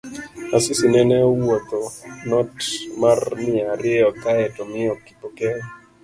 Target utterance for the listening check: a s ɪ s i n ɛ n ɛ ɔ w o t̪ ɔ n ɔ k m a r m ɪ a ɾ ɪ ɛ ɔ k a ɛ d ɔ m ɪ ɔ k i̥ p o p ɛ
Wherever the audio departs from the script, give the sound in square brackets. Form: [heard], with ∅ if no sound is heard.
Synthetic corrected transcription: a s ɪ s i n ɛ n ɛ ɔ w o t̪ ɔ n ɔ [t] m a r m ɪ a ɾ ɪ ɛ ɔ k a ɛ [t] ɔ m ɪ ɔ k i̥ p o [k] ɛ